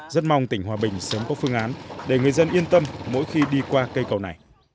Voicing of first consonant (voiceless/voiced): voiced